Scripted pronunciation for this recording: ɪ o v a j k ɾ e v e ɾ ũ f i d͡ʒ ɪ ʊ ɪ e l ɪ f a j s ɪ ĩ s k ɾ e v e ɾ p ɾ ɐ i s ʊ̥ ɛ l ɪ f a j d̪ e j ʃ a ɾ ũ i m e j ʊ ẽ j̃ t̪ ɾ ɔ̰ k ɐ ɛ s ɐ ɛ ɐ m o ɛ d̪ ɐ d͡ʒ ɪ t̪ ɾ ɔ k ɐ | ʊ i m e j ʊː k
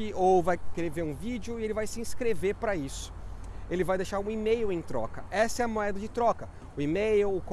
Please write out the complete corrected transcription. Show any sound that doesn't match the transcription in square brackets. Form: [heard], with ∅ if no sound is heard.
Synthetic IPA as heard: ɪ o v a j k ɾ e v e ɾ ũ [v] i d͡ʒ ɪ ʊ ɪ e l ɪ [v] a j s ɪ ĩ s k ɾ e v e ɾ p ɾ ɐ i s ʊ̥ [e] l ɪ [v] a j d̪ e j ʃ a ɾ ũ i m e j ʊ ẽ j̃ t̪ ɾ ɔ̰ k ɐ ɛ s ɐ ɛ ɐ m o ɛ d̪ ɐ d͡ʒ ɪ t̪ ɾ ɔ k ɐ | ʊ i m e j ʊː k